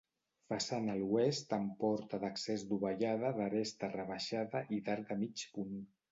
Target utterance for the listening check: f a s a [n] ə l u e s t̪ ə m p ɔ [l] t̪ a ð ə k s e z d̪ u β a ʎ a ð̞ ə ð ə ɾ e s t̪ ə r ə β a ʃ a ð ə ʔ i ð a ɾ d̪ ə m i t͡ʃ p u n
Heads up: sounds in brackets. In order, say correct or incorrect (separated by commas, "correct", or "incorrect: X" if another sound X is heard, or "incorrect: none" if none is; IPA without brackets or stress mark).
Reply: correct, incorrect: ɾ